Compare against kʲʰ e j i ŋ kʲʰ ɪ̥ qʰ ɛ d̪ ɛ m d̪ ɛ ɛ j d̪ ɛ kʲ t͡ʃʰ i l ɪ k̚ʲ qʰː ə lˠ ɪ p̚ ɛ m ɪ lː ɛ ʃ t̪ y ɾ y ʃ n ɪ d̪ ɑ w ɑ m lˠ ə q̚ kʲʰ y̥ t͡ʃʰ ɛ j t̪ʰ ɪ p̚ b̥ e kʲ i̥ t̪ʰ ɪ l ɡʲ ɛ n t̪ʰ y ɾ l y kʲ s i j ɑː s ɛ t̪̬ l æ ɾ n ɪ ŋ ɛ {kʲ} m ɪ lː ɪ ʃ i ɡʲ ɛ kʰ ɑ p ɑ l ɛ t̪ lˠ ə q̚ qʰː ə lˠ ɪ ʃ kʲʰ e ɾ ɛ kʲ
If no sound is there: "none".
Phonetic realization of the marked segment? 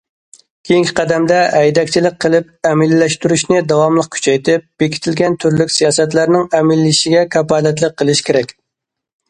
none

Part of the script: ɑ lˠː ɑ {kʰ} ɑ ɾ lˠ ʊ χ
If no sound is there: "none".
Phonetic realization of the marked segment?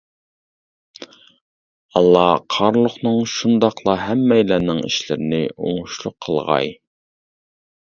qʰ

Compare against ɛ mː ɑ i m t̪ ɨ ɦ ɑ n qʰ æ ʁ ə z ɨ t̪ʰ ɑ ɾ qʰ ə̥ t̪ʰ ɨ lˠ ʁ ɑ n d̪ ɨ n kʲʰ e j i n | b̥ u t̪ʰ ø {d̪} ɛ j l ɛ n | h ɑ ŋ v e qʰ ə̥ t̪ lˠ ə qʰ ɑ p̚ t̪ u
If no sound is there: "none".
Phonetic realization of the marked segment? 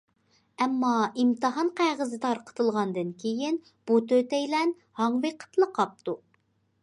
t̪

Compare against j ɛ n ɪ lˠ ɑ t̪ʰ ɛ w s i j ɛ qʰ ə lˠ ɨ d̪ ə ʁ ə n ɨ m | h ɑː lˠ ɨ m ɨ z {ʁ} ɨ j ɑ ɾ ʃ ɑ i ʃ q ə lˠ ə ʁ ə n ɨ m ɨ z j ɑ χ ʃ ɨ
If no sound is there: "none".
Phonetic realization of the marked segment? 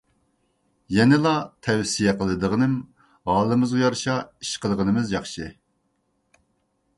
ʁ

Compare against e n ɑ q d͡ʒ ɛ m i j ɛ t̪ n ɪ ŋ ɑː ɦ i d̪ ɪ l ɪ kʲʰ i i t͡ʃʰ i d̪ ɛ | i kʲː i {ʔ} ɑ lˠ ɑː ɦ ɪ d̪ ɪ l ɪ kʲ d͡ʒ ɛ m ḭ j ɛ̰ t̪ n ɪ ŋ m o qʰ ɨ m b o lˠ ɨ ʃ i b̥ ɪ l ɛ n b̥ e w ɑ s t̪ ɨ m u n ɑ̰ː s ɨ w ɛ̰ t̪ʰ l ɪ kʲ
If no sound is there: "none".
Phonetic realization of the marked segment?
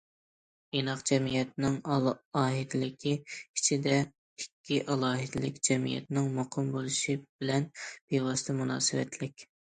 ʔ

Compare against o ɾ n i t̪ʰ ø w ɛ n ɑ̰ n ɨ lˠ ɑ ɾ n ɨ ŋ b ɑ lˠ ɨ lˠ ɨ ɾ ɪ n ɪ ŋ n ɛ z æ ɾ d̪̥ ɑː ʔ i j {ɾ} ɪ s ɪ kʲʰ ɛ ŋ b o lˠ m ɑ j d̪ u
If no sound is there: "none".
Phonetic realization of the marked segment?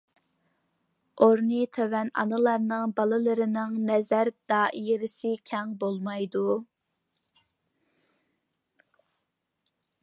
ɾ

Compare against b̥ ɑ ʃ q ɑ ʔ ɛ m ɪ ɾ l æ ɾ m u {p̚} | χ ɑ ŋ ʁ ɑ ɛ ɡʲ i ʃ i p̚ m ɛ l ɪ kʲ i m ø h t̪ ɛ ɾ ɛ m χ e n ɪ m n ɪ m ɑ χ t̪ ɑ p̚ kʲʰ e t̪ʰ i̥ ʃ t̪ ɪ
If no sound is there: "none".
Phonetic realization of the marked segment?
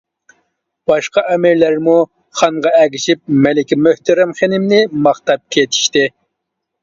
none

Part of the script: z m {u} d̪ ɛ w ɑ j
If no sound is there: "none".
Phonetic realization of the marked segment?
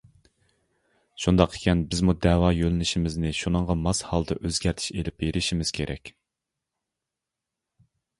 u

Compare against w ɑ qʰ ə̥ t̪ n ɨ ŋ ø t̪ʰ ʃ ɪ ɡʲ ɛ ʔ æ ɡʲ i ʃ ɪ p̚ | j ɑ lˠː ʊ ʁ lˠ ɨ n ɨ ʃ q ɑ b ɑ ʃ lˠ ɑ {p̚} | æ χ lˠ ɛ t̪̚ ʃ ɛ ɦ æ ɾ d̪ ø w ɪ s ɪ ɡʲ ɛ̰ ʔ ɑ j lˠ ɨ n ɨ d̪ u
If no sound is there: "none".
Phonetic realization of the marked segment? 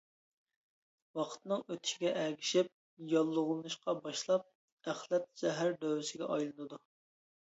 p̚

